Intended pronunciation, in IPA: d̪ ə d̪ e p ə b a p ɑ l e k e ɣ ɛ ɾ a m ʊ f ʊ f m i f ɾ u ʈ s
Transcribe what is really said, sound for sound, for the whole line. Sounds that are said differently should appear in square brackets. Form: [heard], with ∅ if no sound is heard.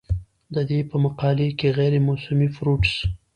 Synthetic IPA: d̪ ə d̪ e p ə [m] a [q] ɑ l e k e ɣ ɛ ɾ [e] m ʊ [s] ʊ [∅] m i f ɾ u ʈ s